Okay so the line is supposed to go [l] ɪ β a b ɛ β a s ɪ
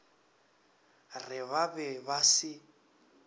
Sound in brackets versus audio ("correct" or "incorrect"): incorrect